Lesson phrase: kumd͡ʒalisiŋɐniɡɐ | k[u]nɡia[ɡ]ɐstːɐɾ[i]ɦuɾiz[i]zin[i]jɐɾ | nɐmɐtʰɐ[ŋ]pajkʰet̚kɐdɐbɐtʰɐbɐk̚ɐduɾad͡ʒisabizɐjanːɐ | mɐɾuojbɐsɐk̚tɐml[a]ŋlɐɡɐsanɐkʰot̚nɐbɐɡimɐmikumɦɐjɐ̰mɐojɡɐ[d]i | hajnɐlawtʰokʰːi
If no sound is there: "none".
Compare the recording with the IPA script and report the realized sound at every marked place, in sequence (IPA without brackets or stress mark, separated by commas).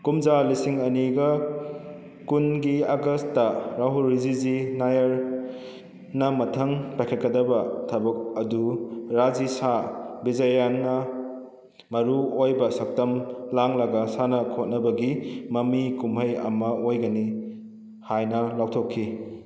u, ɡ, a, i, a, ŋ, a, n